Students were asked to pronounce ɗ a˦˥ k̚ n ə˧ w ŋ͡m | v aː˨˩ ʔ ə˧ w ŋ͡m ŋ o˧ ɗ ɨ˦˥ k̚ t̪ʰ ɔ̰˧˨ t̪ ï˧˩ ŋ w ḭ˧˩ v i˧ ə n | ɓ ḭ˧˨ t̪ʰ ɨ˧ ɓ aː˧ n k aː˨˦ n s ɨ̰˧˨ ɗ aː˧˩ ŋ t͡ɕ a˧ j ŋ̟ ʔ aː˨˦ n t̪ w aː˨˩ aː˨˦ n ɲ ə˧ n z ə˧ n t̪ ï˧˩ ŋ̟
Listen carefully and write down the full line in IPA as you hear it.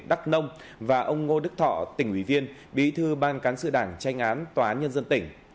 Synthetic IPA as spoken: ɗ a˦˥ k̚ n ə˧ w ŋ͡m | v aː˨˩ ʔ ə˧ w ŋ͡m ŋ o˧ ɗ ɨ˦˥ k̚ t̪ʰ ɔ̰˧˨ t̪ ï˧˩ ŋ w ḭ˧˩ v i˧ ə n | ɓ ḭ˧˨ t̪ʰ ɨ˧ ɓ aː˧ n k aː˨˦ n s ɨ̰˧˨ ɗ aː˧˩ ŋ t͡ɕ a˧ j ŋ̟ ʔ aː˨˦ n t̪ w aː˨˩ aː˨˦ n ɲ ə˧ n z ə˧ n t̪ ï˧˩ ŋ̟